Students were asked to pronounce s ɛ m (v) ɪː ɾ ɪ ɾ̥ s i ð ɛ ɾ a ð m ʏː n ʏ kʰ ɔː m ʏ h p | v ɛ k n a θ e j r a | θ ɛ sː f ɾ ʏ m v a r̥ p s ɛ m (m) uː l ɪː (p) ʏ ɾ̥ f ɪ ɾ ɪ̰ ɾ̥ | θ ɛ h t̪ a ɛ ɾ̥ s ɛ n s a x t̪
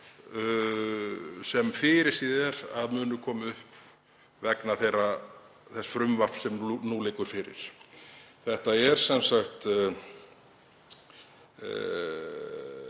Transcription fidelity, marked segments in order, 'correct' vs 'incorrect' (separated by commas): incorrect, incorrect, incorrect